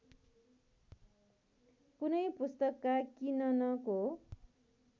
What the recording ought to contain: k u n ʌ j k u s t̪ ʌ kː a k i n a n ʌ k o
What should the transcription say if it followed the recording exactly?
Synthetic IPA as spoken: k u n ʌ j p u s t̪ ʌ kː a k i n ʌ n ʌ k o

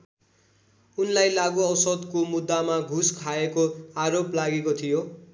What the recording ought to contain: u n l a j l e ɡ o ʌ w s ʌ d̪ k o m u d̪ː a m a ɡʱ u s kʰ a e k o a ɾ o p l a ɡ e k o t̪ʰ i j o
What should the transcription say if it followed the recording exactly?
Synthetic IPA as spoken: u n l a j l a ɡ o ʌ w s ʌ d̪ k o m u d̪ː a m a ɡʱ u s kʰ a e k o a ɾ o p l a ɡ e k o t̪ʰ i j o

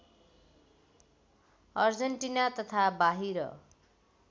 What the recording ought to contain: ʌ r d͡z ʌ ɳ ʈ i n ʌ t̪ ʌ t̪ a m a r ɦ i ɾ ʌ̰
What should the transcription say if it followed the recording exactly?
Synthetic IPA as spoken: ʌ r d͡z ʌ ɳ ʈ i n a t̪ ʌ t̪ʰ a b a ɦ i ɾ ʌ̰

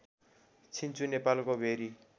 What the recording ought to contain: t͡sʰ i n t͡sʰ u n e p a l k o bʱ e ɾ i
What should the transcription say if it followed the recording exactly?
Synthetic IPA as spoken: t͡sʰ i n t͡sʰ u n e p a l k o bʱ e ɾ i

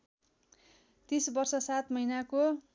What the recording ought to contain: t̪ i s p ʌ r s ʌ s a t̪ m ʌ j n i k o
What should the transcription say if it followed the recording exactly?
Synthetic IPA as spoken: t̪ i s b ʌ r s ʌ s a t̪ m ʌ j n a k o

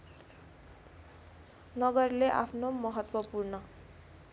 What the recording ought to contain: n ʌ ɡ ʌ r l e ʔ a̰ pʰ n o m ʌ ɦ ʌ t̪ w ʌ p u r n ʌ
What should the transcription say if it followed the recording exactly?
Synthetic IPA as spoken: n ʌ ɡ ʌ r l e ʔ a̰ pʰ n o m ʌ ɦ ʌ t̪ w ʌ p u r n ʌ

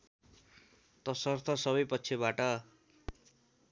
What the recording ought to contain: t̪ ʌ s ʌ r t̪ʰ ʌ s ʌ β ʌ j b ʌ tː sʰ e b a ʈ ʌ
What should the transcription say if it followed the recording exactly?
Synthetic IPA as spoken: t̪ ʌ s ʌ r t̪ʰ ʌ s ʌ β ʌ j p ʌ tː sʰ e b a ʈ ʌ

